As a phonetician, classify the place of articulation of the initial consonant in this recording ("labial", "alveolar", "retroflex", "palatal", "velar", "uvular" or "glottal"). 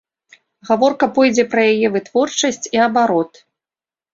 velar